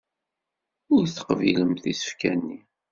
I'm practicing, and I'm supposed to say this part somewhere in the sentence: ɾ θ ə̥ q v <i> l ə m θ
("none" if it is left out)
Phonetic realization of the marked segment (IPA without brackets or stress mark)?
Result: i